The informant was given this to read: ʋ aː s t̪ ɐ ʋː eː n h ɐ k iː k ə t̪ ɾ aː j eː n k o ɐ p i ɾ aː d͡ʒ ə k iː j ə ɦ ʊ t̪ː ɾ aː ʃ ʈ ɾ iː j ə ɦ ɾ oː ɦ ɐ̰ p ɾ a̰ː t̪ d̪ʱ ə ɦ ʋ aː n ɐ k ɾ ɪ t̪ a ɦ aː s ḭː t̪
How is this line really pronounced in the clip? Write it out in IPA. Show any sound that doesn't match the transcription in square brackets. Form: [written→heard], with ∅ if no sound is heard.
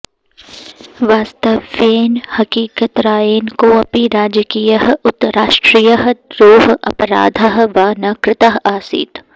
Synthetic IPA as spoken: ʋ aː s t̪ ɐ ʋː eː n h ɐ k iː k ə t̪ ɾ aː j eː n k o ɐ p i ɾ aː d͡ʒ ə k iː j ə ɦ ʊ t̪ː ɾ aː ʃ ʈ ɾ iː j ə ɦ ɾ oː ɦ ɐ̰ p ɾ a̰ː [t̪→∅] d̪ʱ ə ɦ ʋ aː n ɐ k ɾ ɪ t̪ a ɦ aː s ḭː t̪

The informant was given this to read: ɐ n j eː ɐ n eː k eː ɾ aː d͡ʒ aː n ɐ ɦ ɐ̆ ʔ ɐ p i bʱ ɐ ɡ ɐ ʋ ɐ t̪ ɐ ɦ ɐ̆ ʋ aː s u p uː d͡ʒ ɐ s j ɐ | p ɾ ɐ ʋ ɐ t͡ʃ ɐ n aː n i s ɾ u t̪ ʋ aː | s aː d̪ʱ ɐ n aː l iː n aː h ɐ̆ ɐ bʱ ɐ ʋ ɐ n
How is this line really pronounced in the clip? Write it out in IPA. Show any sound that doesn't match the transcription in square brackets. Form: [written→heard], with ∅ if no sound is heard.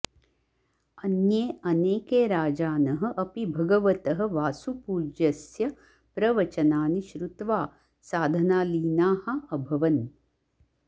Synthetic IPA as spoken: ɐ n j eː ɐ n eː k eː ɾ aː d͡ʒ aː n ɐ ɦ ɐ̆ ʔ ɐ p i bʱ ɐ ɡ ɐ ʋ ɐ t̪ ɐ ɦ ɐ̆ ʋ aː s u p uː d͡ʒ ɐ s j ɐ | p ɾ ɐ ʋ ɐ t͡ʃ ɐ n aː n i [s→ʃ] ɾ u t̪ ʋ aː | s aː d̪ʱ ɐ n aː l iː n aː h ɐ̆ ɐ bʱ ɐ ʋ ɐ n

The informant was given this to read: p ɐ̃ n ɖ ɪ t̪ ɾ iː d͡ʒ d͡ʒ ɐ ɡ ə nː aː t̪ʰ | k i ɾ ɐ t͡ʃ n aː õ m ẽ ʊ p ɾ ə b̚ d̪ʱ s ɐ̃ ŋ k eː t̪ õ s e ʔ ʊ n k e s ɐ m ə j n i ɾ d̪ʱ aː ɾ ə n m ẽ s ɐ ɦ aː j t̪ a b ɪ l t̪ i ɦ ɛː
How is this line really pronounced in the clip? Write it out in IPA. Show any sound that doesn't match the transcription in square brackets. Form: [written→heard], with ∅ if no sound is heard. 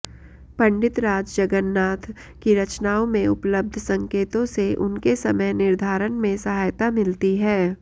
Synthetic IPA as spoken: p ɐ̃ [n→ɳ] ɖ ɪ t̪ ɾ [iː→aː] d͡ʒ d͡ʒ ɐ ɡ ə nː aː t̪ʰ | k i ɾ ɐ t͡ʃ n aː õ m ẽ ʊ p [ɾ→l] ə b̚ d̪ʱ s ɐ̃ ŋ k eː t̪ õ s e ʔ ʊ n k e s ɐ m ə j n [i→ɪ] ɾ d̪ʱ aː ɾ ə n m ẽ s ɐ ɦ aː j t̪ a [b→m] ɪ l t̪ i ɦ ɛː

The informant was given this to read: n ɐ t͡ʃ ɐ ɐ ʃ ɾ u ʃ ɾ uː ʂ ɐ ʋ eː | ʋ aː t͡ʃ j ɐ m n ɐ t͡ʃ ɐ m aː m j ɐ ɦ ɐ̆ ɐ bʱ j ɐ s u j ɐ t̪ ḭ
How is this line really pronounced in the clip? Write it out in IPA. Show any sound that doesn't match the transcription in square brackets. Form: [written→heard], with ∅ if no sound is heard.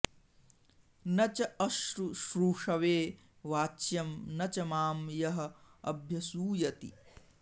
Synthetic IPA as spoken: n ɐ t͡ʃ ɐ ɐ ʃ ɾ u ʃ ɾ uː ʂ ɐ ʋ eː | ʋ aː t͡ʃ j ɐ m n ɐ t͡ʃ ɐ m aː m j ɐ ɦ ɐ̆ ɐ bʱ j ɐ s [u→uː] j ɐ t̪ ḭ

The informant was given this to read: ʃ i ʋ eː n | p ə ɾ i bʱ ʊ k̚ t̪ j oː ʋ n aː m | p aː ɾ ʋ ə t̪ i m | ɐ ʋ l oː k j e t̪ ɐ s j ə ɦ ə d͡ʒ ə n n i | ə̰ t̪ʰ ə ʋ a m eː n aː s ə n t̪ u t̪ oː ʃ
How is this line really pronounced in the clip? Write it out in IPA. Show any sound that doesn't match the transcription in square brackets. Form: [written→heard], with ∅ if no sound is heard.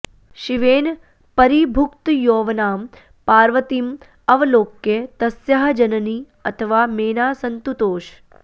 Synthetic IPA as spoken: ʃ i ʋ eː n | p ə ɾ i bʱ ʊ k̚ t̪ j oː ʋ n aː m | p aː ɾ ʋ ə t̪ i m | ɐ ʋ l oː k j e t̪ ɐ s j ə ɦ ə d͡ʒ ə n n i | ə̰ t̪ʰ ə ʋ a m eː n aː s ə n t̪ u t̪ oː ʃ

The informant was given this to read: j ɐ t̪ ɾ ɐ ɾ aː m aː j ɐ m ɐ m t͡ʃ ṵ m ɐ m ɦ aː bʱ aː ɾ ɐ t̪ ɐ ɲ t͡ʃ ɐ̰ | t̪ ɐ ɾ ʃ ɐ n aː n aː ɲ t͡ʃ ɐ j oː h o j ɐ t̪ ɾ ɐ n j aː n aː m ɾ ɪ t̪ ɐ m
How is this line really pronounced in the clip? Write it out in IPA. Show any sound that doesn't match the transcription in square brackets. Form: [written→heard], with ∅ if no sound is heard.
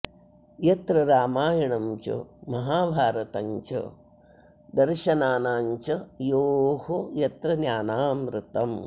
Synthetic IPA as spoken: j ɐ t̪ ɾ ɐ ɾ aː m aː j ɐ [m→ɳ] ɐ m t͡ʃ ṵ m ɐ [m→∅] ɦ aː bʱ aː ɾ ɐ t̪ ɐ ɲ t͡ʃ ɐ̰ | [t̪→d̪] ɐ ɾ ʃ ɐ n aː n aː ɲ t͡ʃ ɐ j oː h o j ɐ t̪ ɾ ɐ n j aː n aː m ɾ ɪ t̪ ɐ m

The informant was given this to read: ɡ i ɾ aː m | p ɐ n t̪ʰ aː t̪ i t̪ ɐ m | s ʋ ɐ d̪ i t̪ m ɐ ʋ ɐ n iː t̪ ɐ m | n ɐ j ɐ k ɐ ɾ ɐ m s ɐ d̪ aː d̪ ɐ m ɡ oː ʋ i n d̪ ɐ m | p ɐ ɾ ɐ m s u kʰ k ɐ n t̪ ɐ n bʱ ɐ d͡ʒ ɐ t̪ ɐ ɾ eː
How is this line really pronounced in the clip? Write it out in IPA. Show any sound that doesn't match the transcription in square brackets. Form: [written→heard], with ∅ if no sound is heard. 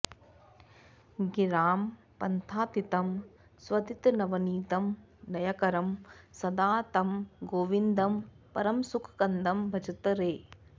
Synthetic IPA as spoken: ɡ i ɾ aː m | p ɐ n t̪ʰ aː t̪ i t̪ ɐ m | s ʋ ɐ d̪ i t̪ [m→n] ɐ ʋ ɐ n iː t̪ ɐ m | n ɐ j ɐ k ɐ ɾ ɐ m s ɐ d̪ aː [d̪→t̪] ɐ m ɡ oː ʋ i n d̪ ɐ m | p ɐ ɾ ɐ m s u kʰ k ɐ n [t̪→d̪] ɐ [n→m] bʱ ɐ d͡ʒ ɐ t̪ ɐ ɾ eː

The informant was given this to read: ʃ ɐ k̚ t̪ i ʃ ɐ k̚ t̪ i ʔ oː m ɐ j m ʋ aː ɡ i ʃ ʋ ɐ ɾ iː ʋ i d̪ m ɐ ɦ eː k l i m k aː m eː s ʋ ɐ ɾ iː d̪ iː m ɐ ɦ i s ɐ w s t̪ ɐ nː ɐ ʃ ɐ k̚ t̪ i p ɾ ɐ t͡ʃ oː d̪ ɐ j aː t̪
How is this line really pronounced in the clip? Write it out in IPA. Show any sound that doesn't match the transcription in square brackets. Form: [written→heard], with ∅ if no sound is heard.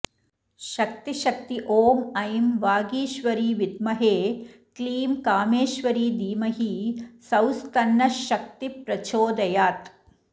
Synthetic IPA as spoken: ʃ ɐ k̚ t̪ i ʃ ɐ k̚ t̪ i ʔ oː m ɐ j m ʋ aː ɡ [i→iː] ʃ ʋ ɐ ɾ iː ʋ i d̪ m ɐ ɦ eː k l [i→iː] m k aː m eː [s→ʃ] ʋ ɐ ɾ iː d̪ iː m ɐ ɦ i s ɐ w s t̪ ɐ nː ɐ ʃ ɐ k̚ t̪ i p ɾ ɐ t͡ʃ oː d̪ ɐ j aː t̪

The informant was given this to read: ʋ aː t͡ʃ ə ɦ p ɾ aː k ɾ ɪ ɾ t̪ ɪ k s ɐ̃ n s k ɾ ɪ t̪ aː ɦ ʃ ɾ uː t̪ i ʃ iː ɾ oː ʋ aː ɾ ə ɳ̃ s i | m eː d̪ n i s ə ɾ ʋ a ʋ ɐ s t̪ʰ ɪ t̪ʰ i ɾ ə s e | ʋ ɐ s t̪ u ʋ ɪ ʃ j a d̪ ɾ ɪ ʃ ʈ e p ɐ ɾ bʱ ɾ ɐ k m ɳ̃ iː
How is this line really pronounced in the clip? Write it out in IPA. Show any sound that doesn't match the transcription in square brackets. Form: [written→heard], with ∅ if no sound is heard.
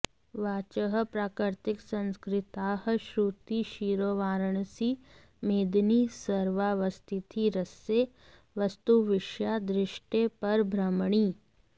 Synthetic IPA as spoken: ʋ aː t͡ʃ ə ɦ p ɾ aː k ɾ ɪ ɾ t̪ ɪ k s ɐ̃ n s k ɾ ɪ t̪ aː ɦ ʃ ɾ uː t̪ i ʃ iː ɾ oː ʋ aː ɾ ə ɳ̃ s i | m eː d̪ n i s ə ɾ ʋ a ʋ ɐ s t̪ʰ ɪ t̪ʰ i ɾ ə s e | ʋ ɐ s t̪ u ʋ ɪ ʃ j a d̪ ɾ ɪ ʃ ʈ e p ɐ ɾ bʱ ɾ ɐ [k→∅] m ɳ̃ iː

